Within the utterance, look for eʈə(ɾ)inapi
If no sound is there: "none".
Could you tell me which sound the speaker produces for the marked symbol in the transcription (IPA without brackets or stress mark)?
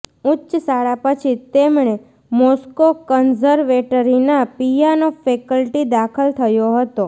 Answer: ɾ